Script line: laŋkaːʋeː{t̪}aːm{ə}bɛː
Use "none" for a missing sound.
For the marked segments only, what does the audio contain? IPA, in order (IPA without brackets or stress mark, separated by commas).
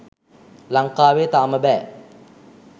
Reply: t̪, ə